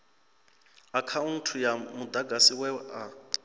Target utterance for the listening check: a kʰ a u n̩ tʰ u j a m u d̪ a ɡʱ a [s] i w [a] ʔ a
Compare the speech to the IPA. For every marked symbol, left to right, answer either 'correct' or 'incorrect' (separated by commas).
correct, incorrect